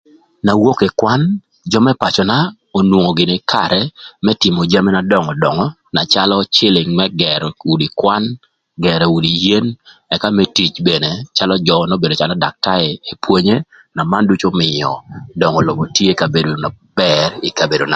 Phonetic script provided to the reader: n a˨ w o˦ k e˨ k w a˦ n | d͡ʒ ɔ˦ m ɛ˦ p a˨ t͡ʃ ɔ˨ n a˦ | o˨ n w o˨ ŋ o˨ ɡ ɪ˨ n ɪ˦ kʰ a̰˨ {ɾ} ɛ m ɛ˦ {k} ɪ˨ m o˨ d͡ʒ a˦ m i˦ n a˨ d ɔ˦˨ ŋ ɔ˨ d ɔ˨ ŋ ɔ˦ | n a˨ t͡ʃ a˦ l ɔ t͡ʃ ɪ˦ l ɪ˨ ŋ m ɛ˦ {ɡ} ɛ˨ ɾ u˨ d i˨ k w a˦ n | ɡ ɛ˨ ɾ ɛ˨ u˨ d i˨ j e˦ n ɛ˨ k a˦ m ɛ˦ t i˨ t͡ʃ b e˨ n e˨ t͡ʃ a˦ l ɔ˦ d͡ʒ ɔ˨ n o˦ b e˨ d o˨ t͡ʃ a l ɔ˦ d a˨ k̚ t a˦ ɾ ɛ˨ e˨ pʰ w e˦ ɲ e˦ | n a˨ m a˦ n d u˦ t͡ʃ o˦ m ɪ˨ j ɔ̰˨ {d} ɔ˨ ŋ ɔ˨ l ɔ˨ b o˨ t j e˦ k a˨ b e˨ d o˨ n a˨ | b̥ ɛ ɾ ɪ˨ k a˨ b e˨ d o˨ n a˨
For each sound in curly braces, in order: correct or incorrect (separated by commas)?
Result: correct, incorrect, correct, correct